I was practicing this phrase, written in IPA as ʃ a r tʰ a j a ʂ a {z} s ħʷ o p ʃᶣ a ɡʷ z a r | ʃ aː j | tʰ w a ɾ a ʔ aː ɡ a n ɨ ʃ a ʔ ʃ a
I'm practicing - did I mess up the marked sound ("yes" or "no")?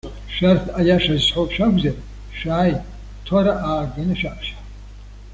no